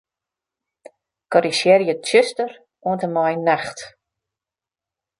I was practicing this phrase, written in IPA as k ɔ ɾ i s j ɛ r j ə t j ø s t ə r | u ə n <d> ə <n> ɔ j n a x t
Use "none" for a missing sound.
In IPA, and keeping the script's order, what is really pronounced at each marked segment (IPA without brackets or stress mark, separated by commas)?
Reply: t, m